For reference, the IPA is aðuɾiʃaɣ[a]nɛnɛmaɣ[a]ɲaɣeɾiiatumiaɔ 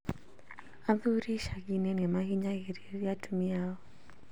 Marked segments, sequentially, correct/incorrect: incorrect: i, incorrect: i

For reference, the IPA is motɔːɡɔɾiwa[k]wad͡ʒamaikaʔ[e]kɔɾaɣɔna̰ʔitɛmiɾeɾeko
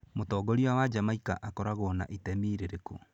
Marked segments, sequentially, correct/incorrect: incorrect: none, incorrect: a

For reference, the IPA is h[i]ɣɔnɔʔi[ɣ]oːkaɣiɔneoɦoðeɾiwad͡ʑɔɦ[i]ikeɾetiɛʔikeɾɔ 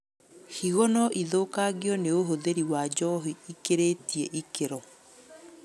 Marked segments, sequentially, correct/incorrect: correct, incorrect: ð, correct

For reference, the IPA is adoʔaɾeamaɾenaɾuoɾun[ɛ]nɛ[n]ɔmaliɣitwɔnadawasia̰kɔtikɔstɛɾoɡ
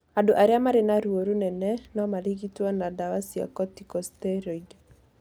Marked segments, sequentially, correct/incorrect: correct, correct

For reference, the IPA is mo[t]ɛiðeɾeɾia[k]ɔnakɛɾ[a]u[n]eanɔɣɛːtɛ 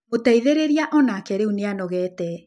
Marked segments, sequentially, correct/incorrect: correct, incorrect: ʔ, incorrect: e, correct

